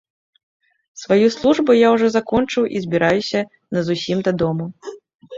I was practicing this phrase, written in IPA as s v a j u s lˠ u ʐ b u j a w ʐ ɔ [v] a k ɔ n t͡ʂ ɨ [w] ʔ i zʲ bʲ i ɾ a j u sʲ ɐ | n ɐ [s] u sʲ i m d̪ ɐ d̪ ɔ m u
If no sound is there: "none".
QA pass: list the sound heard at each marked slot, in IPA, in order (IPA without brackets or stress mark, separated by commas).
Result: z, w, z